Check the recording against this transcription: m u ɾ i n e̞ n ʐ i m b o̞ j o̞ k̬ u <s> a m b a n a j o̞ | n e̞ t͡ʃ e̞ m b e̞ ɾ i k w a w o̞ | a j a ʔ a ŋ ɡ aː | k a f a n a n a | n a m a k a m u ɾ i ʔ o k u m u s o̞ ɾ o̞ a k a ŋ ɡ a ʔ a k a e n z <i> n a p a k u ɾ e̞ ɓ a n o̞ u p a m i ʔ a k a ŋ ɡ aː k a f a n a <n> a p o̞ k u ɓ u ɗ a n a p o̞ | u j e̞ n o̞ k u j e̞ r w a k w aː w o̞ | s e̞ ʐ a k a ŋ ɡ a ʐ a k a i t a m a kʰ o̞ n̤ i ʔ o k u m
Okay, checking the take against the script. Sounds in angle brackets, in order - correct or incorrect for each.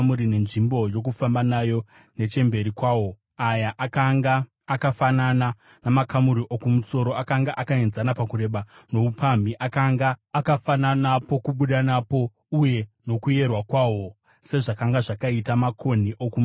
incorrect, incorrect, correct

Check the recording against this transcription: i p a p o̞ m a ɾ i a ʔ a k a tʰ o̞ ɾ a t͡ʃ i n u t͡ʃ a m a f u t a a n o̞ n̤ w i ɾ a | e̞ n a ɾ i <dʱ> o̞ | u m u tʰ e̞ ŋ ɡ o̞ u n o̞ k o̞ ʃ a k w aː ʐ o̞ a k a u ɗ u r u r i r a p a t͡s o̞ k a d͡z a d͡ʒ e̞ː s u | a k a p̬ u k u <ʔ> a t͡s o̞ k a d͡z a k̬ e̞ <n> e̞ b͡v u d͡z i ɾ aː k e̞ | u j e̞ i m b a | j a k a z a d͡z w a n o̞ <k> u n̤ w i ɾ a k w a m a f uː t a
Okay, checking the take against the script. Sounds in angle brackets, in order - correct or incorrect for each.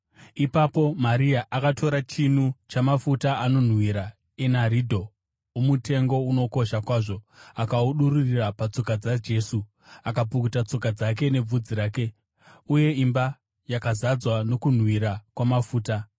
correct, incorrect, correct, correct

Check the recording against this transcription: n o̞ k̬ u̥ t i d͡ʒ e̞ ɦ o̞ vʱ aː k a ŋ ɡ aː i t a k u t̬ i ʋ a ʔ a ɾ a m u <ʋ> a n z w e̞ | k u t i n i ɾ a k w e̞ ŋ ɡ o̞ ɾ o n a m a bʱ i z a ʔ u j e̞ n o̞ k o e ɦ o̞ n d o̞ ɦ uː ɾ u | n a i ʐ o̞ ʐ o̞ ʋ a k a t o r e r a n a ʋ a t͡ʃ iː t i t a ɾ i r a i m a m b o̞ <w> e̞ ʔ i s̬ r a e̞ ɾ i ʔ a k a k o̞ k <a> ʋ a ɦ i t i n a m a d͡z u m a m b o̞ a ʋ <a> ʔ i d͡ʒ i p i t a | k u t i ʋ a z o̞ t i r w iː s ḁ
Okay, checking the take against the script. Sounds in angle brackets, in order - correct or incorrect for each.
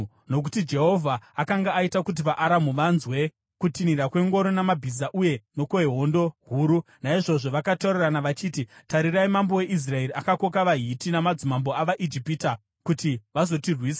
correct, correct, correct, correct

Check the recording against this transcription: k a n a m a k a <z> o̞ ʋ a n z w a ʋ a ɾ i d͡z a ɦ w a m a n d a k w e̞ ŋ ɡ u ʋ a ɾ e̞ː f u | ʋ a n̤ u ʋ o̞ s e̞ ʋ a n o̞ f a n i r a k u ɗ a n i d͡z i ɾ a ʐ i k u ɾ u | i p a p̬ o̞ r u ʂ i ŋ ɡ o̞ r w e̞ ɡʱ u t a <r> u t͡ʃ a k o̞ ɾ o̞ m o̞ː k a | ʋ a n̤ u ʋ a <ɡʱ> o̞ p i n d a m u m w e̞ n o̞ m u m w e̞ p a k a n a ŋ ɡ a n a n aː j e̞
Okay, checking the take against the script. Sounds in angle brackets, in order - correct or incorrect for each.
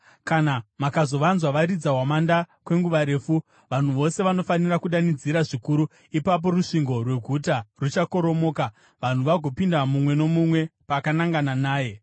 correct, correct, correct

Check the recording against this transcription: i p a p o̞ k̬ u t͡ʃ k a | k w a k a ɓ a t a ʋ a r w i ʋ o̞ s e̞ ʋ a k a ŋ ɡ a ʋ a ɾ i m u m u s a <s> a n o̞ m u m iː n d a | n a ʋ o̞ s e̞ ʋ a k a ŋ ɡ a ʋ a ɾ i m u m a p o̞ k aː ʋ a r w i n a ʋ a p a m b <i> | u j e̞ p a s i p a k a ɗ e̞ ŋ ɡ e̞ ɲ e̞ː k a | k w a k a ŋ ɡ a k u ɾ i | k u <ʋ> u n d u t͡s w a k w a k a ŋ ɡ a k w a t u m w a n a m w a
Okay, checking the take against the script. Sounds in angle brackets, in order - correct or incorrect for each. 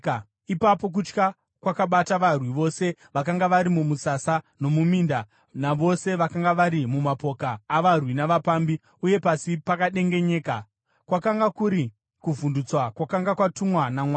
correct, correct, incorrect

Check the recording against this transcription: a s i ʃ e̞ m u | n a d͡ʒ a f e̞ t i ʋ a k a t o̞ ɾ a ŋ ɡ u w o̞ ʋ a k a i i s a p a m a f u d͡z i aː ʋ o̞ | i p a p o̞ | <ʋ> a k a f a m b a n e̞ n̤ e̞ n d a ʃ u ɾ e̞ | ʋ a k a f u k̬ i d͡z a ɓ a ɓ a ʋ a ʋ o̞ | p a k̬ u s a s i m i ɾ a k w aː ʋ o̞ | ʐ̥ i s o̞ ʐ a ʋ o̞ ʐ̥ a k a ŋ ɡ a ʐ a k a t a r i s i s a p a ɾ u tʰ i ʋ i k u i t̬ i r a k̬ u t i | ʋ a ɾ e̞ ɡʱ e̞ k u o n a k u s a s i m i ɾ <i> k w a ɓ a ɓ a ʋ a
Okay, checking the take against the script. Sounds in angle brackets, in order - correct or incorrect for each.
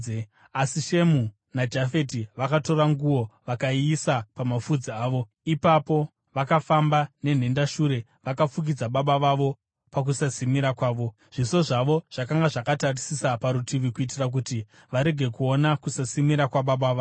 correct, incorrect

